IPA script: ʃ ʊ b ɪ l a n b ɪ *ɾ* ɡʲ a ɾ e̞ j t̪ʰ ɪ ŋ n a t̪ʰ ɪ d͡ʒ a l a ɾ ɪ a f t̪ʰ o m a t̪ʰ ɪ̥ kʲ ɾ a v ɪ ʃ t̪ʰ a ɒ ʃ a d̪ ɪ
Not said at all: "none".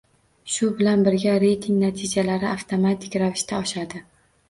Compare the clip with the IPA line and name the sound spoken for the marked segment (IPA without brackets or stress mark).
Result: ɾ